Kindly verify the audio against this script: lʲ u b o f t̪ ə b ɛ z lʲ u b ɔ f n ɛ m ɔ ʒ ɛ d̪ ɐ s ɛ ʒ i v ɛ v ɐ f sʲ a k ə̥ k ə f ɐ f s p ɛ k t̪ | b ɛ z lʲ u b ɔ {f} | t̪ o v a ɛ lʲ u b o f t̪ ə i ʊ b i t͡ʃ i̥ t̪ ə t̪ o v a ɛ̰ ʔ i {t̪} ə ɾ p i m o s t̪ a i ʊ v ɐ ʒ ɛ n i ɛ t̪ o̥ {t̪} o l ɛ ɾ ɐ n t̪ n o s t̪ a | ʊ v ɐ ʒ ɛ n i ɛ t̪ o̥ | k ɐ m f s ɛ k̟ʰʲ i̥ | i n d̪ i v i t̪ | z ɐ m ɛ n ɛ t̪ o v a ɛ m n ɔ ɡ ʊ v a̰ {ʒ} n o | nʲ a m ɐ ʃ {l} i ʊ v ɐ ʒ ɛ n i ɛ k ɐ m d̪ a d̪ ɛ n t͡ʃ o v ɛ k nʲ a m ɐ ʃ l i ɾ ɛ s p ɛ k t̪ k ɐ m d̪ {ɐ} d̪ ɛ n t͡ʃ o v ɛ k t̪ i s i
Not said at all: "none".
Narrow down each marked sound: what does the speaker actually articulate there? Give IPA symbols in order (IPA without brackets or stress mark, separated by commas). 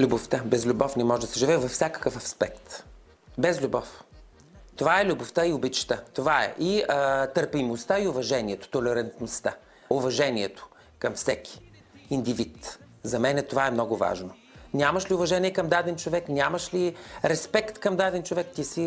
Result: f, t̪, t̪, ʒ, l, a